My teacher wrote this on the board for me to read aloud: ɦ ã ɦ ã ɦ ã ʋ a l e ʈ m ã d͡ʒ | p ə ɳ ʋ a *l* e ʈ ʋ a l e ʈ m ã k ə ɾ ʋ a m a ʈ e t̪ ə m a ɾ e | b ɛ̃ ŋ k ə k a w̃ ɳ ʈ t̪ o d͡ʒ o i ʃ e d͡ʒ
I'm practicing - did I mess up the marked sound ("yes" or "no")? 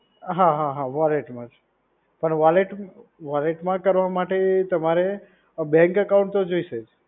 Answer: no